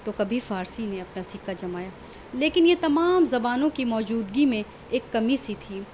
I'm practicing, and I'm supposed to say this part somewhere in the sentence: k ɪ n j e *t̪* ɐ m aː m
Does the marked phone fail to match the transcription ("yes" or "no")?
no